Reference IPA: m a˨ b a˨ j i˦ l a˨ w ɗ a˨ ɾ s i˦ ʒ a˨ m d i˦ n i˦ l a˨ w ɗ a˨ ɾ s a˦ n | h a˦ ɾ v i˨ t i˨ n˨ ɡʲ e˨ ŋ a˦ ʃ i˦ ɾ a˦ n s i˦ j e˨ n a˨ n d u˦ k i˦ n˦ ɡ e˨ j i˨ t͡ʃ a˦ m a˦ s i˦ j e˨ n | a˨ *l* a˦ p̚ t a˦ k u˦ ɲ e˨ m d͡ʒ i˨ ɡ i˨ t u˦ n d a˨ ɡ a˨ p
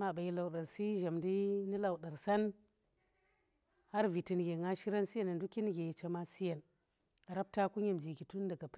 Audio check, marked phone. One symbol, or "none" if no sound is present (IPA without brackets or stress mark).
ɾ